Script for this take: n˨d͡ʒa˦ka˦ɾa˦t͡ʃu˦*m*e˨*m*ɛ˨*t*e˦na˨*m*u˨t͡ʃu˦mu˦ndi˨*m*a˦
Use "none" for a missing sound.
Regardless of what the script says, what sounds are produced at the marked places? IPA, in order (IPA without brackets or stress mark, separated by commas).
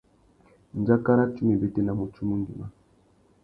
m, b, t, m, m